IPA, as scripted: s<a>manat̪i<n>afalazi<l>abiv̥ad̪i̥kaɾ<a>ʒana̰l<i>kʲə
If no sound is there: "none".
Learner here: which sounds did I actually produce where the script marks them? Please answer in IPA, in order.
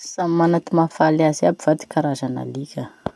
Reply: a, m, none, a, i

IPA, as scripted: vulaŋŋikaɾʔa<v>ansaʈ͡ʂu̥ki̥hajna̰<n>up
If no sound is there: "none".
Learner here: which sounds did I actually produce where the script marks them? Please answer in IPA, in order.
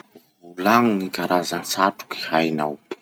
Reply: z, none

